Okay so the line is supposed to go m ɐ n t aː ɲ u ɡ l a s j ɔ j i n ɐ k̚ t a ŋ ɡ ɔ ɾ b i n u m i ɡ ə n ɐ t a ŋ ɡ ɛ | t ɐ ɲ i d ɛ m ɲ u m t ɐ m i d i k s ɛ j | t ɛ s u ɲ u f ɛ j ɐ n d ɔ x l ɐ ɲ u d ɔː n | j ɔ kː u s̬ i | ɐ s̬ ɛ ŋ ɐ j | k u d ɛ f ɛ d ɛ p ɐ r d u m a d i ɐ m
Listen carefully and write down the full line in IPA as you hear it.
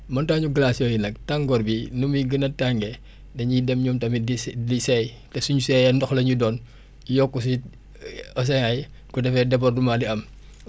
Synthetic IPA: m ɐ n t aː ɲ u ɡ l a s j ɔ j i n ɐ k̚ t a ŋ ɡ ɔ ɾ b i n u m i ɡ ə n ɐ t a ŋ ɡ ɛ | d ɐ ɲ i d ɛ m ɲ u m t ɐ m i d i s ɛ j | t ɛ s u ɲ u s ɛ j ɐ n d ɔ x l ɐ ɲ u d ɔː n | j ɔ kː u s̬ i | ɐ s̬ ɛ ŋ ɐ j | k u d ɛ f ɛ d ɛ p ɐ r d u m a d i ɐ m

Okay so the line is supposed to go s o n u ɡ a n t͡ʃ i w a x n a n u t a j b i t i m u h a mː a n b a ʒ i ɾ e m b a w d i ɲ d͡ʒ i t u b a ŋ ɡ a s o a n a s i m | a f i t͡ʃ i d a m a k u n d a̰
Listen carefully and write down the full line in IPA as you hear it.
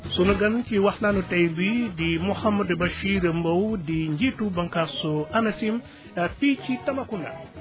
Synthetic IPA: s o n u ɡ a n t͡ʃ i w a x n a n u t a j b i d i m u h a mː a d b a ʃ i ɾ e m b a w d i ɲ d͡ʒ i t u b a ŋ k a s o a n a s i m | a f i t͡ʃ i t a m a k u n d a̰

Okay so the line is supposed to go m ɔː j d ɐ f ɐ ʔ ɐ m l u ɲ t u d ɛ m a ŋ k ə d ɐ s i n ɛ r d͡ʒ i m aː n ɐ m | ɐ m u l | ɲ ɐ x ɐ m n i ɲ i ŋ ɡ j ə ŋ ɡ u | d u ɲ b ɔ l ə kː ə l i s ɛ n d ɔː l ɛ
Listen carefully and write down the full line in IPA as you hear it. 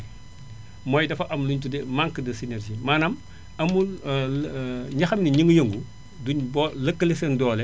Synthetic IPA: m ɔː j d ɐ f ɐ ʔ ɐ m l u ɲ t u d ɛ m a ŋ k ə d ɐ s i n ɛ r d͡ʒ i m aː n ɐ m | ɐ m u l | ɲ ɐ x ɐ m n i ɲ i ŋ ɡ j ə ŋ ɡ u | d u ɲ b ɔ l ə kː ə l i s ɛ n d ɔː l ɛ

